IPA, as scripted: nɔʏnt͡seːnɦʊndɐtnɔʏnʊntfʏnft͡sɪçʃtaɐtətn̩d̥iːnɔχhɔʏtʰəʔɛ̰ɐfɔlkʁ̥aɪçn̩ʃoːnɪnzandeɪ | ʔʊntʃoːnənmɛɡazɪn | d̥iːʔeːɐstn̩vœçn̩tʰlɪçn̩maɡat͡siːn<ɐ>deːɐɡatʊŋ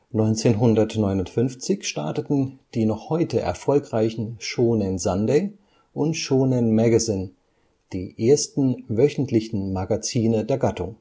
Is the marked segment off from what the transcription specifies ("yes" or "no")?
yes